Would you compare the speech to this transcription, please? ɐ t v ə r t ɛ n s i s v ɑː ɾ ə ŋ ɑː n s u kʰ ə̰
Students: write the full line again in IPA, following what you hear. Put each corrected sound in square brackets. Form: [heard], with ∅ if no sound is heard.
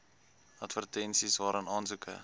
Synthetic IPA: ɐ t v ə r t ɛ n s i s v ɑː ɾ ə [n] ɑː n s u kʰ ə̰